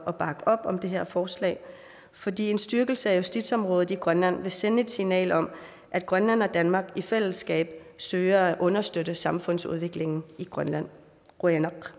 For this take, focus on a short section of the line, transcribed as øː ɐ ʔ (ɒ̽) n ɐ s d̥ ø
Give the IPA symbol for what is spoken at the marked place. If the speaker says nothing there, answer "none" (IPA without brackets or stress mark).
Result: ɔ̽